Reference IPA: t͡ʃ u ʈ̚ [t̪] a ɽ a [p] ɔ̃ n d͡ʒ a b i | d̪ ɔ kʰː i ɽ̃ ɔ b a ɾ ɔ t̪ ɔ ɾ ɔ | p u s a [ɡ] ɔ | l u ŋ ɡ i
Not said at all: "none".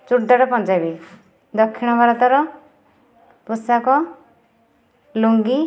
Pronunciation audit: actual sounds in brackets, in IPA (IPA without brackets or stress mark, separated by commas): d̪, p, k